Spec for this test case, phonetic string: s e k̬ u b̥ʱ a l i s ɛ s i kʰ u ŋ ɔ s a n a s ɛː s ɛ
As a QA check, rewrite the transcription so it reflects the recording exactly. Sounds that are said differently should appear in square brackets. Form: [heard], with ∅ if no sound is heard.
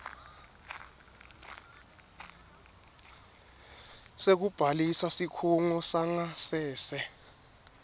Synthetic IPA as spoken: s e k̬ u b̥ʱ a l i s [a] s i kʰ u ŋ ɔ s a [ŋ] a s ɛː s ɛ

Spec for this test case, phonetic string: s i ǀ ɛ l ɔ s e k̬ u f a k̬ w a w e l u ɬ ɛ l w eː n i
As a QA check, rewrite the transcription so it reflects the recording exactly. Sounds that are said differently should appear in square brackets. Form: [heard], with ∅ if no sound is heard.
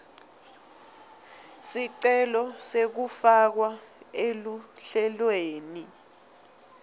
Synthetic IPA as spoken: s i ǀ ɛ l ɔ s e k̬ u f a k̬ w a [∅] e l u ɬ ɛ l w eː n i

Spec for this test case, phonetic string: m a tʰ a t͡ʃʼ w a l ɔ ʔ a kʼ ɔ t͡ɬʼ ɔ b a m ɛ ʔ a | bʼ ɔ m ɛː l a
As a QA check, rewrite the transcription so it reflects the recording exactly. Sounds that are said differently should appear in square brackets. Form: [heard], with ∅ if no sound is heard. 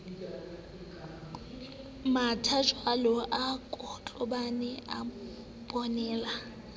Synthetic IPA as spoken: m a tʰ a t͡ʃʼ w a l ɔ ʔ a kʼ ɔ t͡ɬʼ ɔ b a [n] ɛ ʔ a | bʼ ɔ [n] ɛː l a

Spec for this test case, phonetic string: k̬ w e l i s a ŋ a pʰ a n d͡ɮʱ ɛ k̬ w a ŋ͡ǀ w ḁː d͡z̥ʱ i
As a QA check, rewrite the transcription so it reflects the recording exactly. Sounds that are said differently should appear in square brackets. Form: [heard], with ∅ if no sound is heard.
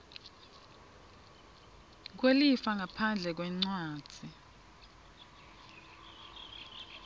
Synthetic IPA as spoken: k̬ w e l i [f] a ŋ a pʰ a n d͡ɮʱ ɛ k̬ w [ɛ] ŋ͡ǀ w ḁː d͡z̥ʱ i

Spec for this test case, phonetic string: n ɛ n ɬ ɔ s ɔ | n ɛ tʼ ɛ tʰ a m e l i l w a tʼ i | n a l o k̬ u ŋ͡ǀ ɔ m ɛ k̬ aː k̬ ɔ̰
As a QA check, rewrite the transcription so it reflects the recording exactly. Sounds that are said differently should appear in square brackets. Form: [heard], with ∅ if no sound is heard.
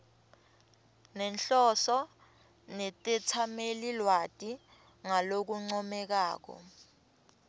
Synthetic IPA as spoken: n ɛ n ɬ ɔ s ɔ | n ɛ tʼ ɛ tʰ a m e l i l w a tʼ i | [ŋ] a l o k̬ u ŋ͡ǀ ɔ m ɛ k̬ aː k̬ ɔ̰

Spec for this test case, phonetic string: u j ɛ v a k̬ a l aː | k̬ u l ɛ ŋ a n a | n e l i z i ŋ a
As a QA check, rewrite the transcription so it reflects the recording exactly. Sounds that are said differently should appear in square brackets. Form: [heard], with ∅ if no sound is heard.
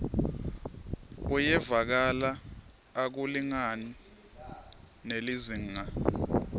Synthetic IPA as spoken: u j ɛ v a k̬ a l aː | k̬ u l [i] ŋ a n [i] | n e l i z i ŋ a

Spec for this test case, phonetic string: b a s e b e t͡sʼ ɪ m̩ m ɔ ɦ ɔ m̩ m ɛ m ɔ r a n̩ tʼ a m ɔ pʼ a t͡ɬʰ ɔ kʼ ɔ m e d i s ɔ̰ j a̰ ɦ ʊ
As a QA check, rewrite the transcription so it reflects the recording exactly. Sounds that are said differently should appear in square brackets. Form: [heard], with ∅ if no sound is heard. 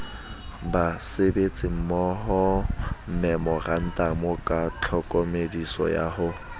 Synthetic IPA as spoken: b a s e b e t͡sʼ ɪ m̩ m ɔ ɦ ɔ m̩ m ɛ m ɔ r a n̩ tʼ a m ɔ [kʼ] a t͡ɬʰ ɔ kʼ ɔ m e d i s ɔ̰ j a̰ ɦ ʊ

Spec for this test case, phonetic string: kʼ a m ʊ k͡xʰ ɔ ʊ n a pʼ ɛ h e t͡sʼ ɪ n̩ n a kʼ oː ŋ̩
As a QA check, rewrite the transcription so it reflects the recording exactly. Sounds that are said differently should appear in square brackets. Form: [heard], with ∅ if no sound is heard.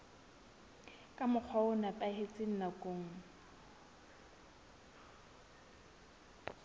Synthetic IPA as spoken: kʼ a m ʊ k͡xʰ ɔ ʊ n a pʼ [a] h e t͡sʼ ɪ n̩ n a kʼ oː ŋ̩

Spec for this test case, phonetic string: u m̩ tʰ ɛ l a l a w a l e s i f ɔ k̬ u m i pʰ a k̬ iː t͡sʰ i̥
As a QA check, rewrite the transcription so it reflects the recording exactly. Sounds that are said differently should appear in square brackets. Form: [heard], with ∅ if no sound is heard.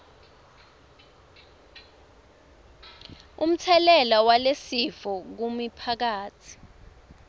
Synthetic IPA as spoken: u m̩ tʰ ɛ l [ɛ] l a w a l e s i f ɔ k̬ u m i pʰ a k̬ [aː] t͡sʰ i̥

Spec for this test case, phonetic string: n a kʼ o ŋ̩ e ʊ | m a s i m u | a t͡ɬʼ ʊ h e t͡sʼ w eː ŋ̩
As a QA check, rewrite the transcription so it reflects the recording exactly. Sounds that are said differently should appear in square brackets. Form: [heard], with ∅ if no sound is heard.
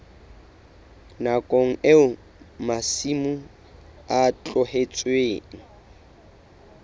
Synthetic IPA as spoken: n a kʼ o ŋ̩ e ʊ | m a s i m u | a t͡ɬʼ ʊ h e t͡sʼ w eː ŋ̩

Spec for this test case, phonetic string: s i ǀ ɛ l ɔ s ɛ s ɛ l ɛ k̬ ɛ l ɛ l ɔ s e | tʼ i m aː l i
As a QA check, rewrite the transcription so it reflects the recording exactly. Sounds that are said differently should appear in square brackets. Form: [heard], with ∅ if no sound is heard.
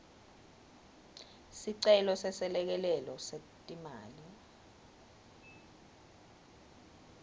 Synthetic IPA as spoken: s i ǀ ɛ l ɔ s ɛ s ɛ l ɛ k̬ ɛ l ɛ l ɔ s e | tʼ i m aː l i

